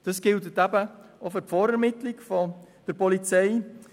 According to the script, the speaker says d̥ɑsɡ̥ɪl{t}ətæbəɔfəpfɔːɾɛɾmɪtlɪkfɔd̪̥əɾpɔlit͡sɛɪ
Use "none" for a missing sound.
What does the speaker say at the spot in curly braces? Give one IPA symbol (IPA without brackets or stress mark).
t